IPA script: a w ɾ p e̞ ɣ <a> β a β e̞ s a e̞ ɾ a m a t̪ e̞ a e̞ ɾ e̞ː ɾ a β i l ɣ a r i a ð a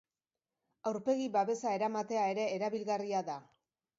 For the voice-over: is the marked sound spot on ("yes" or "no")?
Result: no